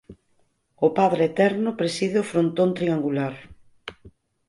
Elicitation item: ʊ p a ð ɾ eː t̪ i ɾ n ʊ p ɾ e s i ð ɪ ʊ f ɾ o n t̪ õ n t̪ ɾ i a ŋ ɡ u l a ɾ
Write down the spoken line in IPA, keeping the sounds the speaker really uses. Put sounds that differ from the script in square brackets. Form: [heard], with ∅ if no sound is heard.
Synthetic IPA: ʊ p a ð ɾ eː t̪ [ɛ] ɾ n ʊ p ɾ e s i ð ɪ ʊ f ɾ o n t̪ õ n t̪ ɾ i a ŋ ɡ u l a ɾ